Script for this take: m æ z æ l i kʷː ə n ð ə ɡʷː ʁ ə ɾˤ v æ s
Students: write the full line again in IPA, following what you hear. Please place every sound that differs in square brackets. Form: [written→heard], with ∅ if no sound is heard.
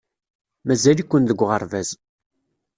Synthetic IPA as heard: m æ z æ l i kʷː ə n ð ə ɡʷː ʁ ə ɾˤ v æ [s→z]